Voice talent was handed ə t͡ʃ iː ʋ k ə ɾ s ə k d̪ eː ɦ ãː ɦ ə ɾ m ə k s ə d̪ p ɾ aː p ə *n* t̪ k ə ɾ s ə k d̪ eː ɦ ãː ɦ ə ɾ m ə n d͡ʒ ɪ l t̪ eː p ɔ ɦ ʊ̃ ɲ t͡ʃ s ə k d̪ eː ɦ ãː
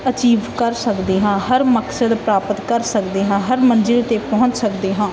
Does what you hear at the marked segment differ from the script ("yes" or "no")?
yes